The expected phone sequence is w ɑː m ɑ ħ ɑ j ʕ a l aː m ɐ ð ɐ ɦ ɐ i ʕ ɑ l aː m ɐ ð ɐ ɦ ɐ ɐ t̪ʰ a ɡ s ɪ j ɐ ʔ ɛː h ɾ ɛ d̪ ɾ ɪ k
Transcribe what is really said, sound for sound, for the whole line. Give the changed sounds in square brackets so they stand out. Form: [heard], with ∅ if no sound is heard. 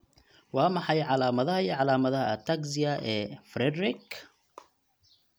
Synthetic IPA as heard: w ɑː m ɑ ħ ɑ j ʕ [ɑ] l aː m ɐ ð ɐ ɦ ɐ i ʕ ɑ l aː m ɐ ð ɐ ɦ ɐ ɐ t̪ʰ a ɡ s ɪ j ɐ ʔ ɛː [f] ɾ ɛ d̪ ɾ ɪ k